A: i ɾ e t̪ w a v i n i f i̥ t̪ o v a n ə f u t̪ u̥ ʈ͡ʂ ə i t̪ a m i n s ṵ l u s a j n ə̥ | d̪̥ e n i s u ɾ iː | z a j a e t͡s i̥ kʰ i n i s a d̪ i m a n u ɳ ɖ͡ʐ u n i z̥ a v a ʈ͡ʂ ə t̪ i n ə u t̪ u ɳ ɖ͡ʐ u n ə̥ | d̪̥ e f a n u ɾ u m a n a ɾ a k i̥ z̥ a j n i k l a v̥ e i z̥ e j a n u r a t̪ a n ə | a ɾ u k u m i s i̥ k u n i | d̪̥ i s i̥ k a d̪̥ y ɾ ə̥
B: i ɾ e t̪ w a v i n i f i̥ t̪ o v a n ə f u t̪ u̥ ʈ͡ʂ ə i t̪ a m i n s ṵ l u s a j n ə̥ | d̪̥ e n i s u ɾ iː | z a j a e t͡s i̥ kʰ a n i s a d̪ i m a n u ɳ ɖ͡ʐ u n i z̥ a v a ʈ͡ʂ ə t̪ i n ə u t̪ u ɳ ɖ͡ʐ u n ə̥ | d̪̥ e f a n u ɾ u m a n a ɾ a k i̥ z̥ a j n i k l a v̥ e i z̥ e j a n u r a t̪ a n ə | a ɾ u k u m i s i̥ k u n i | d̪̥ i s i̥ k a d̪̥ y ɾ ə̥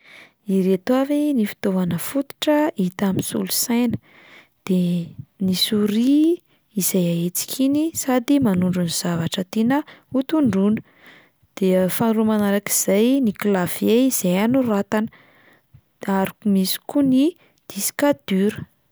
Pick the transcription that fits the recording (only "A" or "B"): A